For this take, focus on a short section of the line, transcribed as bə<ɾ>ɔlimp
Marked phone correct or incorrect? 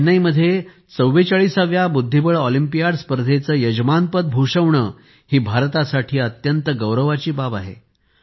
incorrect